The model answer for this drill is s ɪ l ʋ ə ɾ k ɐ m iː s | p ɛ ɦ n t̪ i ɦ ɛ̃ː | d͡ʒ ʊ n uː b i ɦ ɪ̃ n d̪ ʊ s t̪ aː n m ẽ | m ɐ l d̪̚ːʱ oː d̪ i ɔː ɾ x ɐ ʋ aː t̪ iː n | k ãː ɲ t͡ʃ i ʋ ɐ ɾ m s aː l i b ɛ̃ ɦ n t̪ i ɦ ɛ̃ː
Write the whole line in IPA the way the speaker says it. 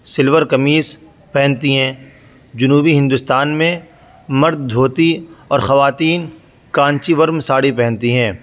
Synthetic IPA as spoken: s ɪ l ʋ ə ɾ k ɐ m iː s | p ɛ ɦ n t̪ i ɦ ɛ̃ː | d͡ʒ ʊ n uː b i ɦ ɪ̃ n d̪ ʊ s t̪ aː n m ẽ | m ɐ ɾ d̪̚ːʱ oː t̪ i ɔː ɾ x ɐ ʋ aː t̪ iː n | k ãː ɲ t͡ʃ i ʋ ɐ ɾ m s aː ɽ i p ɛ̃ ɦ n t̪ i ɦ ɛ̃ː